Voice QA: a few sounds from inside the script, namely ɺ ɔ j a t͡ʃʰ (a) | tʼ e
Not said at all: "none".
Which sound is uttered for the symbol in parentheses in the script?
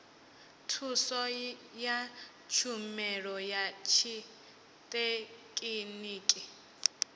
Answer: i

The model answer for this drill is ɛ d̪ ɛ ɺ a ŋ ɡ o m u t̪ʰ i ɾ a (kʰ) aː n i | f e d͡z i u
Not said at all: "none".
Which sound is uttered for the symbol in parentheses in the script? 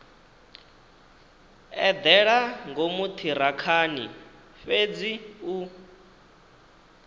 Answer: kʰ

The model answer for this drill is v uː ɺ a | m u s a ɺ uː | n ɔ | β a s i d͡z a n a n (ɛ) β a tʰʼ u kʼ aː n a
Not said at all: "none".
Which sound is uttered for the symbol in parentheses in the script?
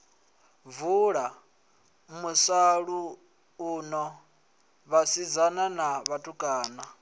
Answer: a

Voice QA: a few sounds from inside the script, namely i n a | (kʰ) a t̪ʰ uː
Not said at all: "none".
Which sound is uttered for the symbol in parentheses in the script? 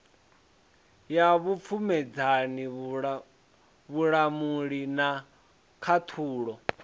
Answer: kʰ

